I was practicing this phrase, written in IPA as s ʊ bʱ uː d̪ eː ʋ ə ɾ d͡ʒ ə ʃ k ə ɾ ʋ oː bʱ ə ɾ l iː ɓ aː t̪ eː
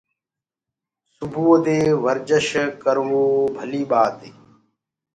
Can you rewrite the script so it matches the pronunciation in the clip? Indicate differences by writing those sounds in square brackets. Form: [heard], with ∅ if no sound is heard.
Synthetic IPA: s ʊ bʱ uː d̪ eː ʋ ə ɾ d͡ʒ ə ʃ k ə ɾ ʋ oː bʱ ə [∅] l iː ɓ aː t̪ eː